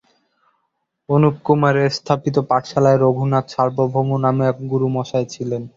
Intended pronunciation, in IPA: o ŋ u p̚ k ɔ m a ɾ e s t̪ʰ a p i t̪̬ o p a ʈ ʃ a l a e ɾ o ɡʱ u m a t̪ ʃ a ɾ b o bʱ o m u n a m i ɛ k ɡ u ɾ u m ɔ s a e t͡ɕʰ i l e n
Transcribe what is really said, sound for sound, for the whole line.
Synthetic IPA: o n u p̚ k u m a ɾ e s t̪ʰ a p i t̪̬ o p a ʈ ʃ a l a e ɾ o ɡʱ u n a t̪ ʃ a ɾ b o bʱ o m u n a m e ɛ k ɡ u ɾ u m ɔ ʃ a e t͡ɕʰ i l e n

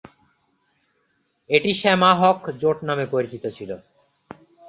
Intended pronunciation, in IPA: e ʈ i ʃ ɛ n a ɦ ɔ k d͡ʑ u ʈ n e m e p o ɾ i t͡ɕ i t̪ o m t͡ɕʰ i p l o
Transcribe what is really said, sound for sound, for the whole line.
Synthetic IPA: e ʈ i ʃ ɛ m a ɦ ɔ k d͡ʑ o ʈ n a m e p o ɾ i t͡ɕ i t̪ o t͡ɕʰ i l o

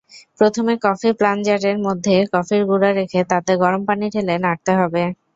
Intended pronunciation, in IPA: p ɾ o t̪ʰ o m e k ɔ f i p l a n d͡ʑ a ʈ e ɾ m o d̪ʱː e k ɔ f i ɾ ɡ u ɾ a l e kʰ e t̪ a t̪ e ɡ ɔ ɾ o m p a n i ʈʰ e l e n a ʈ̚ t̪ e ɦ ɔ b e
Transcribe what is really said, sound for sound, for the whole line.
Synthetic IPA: p ɾ o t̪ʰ o m e k ɔ f i p l a n d͡ʑ a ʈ e ɾ m o d̪ʱː e k ɔ f i ɾ ɡ u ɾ a ɾ e kʰ e t̪ a t̪ e ɡ ɔ ɾ o m p a n i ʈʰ e l e n a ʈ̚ t̪ e ɦ ɔ b e

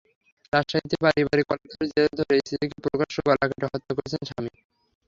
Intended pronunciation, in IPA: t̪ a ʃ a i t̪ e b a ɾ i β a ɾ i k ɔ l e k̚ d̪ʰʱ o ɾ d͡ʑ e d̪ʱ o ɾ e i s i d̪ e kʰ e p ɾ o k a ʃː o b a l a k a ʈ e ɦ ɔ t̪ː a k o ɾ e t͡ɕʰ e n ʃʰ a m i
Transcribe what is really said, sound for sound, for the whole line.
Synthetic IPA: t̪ a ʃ a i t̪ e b a ɾ i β a ɾ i k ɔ l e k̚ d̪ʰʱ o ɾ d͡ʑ e d̪ʱ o ɾ e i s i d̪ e k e p ɾ o k a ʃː o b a l a k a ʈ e ɦ ɔ t̪ː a k o ɾ e t͡ɕʰ e n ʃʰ a m i

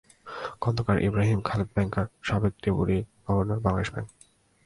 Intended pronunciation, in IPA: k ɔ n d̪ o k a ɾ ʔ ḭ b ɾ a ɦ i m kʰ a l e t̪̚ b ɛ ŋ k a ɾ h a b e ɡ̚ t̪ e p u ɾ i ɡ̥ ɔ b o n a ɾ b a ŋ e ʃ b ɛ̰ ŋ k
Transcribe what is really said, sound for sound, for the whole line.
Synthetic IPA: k ɔ n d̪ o k a ɾ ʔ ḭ b ɾ a ɦ i m kʰ a l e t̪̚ b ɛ ŋ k a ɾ ʃ a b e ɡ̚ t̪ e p u ɾ i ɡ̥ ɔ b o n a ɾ b a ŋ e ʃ b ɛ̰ ŋ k

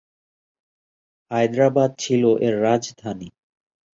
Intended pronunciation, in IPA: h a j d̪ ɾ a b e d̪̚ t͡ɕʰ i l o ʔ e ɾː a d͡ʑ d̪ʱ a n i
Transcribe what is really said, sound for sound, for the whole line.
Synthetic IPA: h a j d̪ ɾ a b a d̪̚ t͡ɕʰ i l o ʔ e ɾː a d͡ʑ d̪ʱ a n i

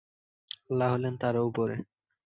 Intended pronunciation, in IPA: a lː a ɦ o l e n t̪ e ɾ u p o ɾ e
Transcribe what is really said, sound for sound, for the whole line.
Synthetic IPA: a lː a ɦ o l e n t̪ a ɾ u p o ɾ e

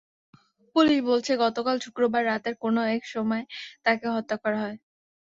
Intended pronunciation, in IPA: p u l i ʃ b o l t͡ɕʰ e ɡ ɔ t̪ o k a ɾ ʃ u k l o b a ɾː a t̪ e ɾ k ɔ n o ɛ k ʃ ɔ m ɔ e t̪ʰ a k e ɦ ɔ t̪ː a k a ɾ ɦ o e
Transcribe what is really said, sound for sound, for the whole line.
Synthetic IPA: p u l i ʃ b o l t͡ɕʰ e ɡ ɔ t̪ o k a l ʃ u k ɾ o b a ɾː a t̪ e ɾ k o n o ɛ k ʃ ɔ m ɔ e t̪ a k e ɦ ɔ t̪ː a k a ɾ ɦ ɔ e

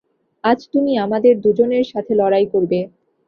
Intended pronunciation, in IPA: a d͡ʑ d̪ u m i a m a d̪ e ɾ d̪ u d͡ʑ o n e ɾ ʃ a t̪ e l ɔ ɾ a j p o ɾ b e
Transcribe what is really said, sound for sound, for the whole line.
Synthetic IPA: a d͡ʑ t̪ u m i a m a d̪ e ɾ d̪ u d͡ʑ o n e ɾ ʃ a t̪ʰ e l ɔ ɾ a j k o ɾ b e

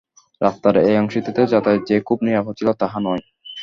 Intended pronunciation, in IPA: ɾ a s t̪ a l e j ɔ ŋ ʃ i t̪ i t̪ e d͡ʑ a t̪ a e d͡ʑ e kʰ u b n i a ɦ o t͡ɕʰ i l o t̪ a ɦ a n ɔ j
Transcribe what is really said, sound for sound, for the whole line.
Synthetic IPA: ɾ a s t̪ a ɾ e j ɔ ŋ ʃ i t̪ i t̪ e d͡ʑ a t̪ a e d͡ʑ e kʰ u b n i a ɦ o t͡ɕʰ i l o t̪ a ɦ a n ɔ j

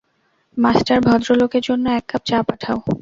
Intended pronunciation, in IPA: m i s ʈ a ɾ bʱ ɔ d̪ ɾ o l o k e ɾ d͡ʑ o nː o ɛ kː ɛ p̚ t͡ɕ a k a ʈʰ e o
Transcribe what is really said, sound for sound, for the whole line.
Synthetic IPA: m a s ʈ a ɾ bʱ ɔ d̪ ɾ o l o k e ɾ d͡ʑ o nː o ɛ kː a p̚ t͡ɕ a p a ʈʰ a o

